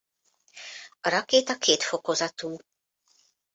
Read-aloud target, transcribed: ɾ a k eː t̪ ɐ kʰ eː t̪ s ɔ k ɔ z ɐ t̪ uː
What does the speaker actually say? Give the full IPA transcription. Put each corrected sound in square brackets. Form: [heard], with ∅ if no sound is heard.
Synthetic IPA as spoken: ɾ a k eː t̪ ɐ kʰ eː t̪ [f] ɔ k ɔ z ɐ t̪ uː